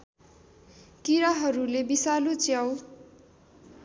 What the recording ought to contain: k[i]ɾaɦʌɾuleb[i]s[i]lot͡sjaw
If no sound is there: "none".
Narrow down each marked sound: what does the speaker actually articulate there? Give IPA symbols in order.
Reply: i, i, a

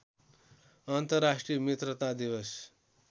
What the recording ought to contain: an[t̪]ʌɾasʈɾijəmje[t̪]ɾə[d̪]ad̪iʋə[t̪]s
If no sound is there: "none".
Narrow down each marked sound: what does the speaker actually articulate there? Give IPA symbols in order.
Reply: t̪, t̪, t̪, none

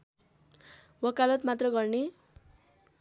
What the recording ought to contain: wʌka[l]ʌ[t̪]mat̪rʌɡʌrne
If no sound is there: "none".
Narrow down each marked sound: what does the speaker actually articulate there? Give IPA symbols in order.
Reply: l, t̪

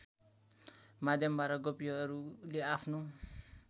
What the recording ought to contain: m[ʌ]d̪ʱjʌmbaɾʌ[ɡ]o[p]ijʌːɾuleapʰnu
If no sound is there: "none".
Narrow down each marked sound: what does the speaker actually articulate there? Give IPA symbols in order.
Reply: a, ɡ, p

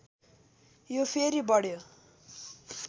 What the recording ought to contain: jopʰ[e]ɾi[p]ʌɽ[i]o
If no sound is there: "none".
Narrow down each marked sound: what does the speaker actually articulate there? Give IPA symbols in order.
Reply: e, b, j

